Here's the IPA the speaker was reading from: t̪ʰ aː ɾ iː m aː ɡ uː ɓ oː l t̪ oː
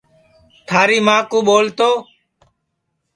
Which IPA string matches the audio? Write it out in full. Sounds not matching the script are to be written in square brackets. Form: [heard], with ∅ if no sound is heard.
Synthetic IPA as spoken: t̪ʰ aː ɾ iː m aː [k] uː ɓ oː l t̪ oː